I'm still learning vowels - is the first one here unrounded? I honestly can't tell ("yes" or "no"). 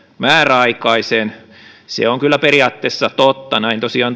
yes